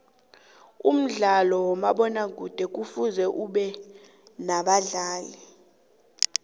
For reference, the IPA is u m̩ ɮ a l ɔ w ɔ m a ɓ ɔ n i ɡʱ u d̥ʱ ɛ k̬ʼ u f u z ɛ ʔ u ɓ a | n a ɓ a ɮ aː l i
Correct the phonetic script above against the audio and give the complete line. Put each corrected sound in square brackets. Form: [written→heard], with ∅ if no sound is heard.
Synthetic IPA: u m̩ ɮ a l ɔ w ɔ m a ɓ ɔ n [i→a] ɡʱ u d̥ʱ ɛ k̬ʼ u f u z ɛ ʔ u ɓ [a→ɛ] | n a ɓ a ɮ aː l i